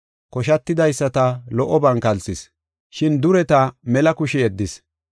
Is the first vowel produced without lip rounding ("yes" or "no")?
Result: no